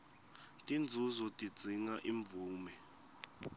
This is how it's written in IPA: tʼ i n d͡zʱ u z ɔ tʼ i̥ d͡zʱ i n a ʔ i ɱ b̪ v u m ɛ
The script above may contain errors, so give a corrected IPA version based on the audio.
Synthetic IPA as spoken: tʼ i n d͡zʱ u z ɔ tʼ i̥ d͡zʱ i ŋ a ʔ i ɱ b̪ v uː m ɛ

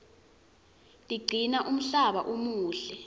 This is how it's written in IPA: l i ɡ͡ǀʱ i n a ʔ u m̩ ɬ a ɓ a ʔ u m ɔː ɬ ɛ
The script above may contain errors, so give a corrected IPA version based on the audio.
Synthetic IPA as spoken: l i ɡ͡ǀʱ i n a ʔ u m̩ ɬ a ɓ a ʔ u m uː ɬ ɛ

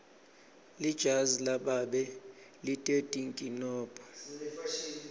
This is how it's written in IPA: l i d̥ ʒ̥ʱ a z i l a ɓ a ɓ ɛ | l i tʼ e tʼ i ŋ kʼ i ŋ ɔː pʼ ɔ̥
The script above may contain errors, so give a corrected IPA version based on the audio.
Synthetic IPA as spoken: l i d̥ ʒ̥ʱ a z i l a ɓ a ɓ ɛ | l i tʼ e tʼ i ŋ kʼ i n ɔː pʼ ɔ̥

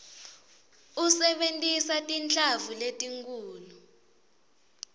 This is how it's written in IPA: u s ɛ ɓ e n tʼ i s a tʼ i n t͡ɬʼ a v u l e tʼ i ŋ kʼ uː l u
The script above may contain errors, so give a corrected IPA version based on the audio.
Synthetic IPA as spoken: u s ɛ ɓ e n tʼ i s a tʼ i n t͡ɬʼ a v u l e tʼ i ŋ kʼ uː l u

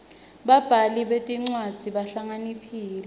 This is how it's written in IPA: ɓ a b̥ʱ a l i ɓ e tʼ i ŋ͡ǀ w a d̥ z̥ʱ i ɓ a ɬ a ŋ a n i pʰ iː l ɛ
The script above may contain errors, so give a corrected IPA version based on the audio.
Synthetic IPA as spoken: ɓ a b̥ʱ a l i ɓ e tʼ i ŋ͡ǀ w a d̥ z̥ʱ i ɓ a ɬ a ŋ a n i pʰ iː l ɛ

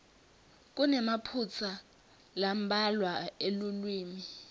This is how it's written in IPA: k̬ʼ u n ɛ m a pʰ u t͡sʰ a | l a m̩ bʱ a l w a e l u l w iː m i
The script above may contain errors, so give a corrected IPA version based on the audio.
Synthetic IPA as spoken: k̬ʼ u n ɛ m a pʰ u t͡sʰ a | l a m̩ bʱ a l w a e l u l w iː m i

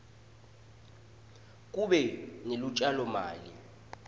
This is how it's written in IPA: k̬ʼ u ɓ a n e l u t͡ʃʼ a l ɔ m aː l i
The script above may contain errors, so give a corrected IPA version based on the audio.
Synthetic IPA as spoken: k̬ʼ u ɓ ɛ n e l u t͡ʃʼ a l ɔ m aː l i

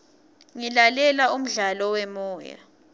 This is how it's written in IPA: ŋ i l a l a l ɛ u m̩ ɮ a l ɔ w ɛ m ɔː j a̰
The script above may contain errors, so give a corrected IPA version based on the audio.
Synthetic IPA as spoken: ŋ i l a l ɛ l a u m̩ ɮ a l ɔ w ɛ m ɔː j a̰

